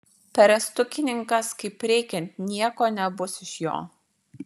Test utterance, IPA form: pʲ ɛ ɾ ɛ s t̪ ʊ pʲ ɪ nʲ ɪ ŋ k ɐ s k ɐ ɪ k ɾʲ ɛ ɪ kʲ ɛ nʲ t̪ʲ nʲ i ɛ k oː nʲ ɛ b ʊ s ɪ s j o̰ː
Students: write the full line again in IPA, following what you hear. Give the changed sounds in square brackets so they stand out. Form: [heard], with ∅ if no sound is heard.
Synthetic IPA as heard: pʲ ɛ ɾ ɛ s t̪ ʊ [kʲ] ɪ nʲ ɪ ŋ k ɐ s k ɐ ɪ [p] ɾʲ ɛ ɪ kʲ ɛ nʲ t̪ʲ nʲ i ɛ k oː nʲ ɛ b ʊ s ɪ [ʃ] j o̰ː

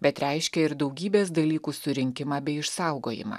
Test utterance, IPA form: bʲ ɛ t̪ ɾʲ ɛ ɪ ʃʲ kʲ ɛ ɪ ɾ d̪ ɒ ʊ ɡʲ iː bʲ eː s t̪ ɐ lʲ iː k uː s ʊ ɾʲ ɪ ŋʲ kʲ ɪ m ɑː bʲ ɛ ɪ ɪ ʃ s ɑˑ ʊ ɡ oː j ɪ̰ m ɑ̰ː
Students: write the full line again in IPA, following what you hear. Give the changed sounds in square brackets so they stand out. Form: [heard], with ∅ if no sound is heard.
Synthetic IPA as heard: bʲ ɛ t̪ ɾʲ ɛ ɪ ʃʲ kʲ ɛ ɪ ɾ d̪ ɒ ʊ ɡʲ iː bʲ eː s [d̪] ɐ lʲ iː k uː s ʊ ɾʲ ɪ ŋʲ kʲ ɪ m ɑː bʲ ɛ ɪ ɪ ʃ s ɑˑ ʊ ɡ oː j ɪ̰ m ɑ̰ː

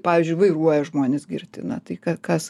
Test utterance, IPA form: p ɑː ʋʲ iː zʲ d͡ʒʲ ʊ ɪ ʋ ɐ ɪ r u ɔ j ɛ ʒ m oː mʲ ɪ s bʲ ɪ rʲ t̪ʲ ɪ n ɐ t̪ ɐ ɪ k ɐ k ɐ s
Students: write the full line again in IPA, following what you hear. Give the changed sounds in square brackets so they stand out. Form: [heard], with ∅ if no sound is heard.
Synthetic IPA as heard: p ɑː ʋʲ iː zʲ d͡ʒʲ ʊ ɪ ʋ ɐ ɪ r u ɔ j ɛ ʒ m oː [nʲ] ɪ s [ɡʲ] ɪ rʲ t̪ʲ ɪ n ɐ t̪ ɐ ɪ k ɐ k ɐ s

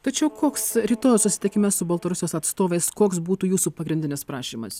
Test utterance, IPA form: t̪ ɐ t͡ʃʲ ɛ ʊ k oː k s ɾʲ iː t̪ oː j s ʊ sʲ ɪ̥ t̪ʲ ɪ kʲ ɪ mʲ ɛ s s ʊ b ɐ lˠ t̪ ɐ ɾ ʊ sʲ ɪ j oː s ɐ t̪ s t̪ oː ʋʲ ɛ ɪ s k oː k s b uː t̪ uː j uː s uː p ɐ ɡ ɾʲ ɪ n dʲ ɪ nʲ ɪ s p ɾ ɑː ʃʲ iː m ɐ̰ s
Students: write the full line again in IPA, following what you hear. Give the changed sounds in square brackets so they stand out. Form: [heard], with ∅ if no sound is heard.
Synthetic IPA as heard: t̪ ɐ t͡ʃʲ ɛ ʊ k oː k s ɾʲ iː t̪ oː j s ʊ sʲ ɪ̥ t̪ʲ ɪ kʲ ɪ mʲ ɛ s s ʊ b ɐ lˠ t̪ ɐ ɾ ʊ sʲ ɪ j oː s ɐ t̪ s t̪ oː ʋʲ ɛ ɪ s k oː k s b uː t̪ uː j uː s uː p ɐ ɡ ɾʲ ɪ n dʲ ɪ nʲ ɪ s p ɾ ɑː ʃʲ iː m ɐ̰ s

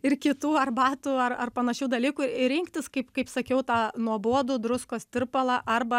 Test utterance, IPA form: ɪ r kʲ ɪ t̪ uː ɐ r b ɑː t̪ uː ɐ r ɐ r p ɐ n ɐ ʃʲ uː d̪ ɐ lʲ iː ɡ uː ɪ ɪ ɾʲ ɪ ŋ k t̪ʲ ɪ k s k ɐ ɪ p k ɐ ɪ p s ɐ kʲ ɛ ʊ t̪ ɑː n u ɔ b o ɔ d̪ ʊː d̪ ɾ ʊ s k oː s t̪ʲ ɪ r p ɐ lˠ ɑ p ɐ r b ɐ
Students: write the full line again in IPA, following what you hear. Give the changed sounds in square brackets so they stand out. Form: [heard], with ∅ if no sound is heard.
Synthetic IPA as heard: ɪ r kʲ ɪ t̪ uː ɐ r b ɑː t̪ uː ɐ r ɐ r p ɐ n ɐ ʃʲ uː d̪ ɐ lʲ iː [k] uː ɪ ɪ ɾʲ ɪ ŋ k t̪ʲ ɪ [∅] s k ɐ ɪ p k ɐ ɪ p s ɐ kʲ ɛ ʊ t̪ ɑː n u ɔ b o ɔ d̪ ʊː d̪ ɾ ʊ s k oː s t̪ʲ ɪ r p ɐ lˠ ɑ [ʔ] ɐ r b ɐ

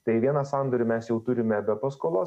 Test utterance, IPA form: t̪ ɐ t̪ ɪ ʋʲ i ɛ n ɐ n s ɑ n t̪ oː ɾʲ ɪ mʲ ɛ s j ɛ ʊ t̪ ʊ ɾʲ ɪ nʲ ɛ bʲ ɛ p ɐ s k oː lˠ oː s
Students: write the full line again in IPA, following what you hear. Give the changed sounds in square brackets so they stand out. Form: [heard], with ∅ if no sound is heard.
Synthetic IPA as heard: t̪ ɐ [∅] ɪ ʋʲ i ɛ n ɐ [∅] s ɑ n [d̪] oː ɾʲ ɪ mʲ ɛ s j ɛ ʊ t̪ ʊ ɾʲ ɪ [mʲ] ɛ bʲ ɛ p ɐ s k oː lˠ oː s

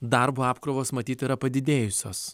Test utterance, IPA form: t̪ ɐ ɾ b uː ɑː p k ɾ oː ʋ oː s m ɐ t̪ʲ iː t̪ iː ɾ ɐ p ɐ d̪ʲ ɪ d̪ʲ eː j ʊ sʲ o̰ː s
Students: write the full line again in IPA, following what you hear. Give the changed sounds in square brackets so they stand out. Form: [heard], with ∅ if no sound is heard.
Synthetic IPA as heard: [d̪] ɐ ɾ b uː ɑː p k ɾ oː ʋ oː s m ɐ t̪ʲ iː t̪ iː ɾ ɐ p ɐ d̪ʲ ɪ d̪ʲ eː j ʊ sʲ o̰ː s

